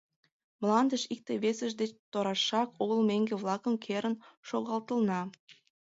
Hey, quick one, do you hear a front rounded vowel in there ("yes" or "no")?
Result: no